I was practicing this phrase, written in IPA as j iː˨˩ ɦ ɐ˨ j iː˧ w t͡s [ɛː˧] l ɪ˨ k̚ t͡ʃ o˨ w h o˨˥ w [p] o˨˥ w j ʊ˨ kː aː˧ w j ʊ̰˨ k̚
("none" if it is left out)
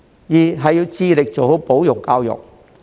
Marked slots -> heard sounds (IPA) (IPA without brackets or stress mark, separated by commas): iː˧, p